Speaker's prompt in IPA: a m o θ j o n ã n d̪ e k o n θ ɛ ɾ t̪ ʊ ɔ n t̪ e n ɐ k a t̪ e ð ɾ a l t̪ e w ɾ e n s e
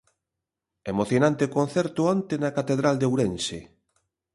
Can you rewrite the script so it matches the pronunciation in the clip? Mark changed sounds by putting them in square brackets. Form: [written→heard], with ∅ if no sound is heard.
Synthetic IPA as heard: [a→e] m o θ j o n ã n [d̪→t̪] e k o n θ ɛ ɾ t̪ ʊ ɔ n t̪ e n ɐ k a t̪ e ð ɾ a l [t̪→d̪] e w ɾ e n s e